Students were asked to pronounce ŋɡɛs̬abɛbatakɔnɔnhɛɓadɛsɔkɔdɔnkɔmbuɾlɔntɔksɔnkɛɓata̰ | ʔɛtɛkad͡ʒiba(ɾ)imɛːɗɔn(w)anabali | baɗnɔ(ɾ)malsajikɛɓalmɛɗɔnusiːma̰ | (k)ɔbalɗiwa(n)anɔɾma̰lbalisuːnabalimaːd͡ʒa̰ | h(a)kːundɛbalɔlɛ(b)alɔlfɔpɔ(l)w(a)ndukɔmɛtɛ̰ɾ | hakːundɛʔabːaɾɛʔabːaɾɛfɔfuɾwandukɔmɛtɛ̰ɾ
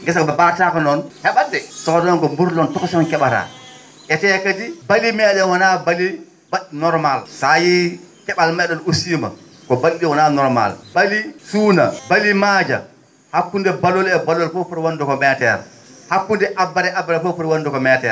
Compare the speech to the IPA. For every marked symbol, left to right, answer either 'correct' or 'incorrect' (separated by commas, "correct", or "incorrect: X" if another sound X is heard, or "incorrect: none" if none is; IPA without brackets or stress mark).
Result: incorrect: l, correct, correct, correct, correct, correct, correct, incorrect: ɾ, correct